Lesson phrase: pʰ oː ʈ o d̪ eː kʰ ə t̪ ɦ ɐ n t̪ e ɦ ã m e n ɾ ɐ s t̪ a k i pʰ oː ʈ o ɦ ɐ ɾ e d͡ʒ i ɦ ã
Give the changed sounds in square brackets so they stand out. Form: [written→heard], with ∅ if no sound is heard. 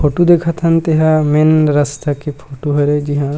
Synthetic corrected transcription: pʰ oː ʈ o d̪ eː kʰ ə t̪ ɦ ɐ n t̪ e ɦ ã m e n ɾ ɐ s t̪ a k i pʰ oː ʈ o ɦ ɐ ɾ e d͡ʒ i ɦ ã